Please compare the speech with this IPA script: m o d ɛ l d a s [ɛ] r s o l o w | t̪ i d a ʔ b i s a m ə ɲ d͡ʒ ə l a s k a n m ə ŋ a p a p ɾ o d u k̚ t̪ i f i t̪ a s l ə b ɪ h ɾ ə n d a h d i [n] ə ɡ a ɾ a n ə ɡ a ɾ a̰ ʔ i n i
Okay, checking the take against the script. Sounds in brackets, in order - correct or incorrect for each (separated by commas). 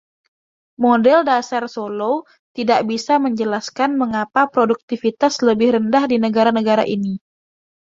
incorrect, correct